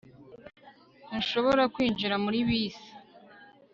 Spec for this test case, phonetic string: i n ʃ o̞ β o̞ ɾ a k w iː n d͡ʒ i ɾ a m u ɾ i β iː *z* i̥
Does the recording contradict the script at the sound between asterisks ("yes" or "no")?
yes